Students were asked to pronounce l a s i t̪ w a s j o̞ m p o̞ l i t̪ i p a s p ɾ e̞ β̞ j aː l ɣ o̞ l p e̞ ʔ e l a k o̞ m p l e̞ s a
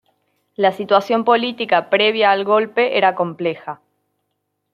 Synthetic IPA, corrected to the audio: l a s i t̪ w a s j o̞ m p o̞ l i t̪ i k a p ɾ e̞ β̞ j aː l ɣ o̞ l p e̞ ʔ e ɾ a k o̞ m p l e̞ x a